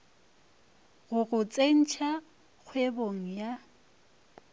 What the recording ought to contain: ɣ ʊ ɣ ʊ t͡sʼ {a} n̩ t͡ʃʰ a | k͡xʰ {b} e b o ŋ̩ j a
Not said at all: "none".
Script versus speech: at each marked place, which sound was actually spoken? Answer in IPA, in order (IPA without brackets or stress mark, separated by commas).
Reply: e, w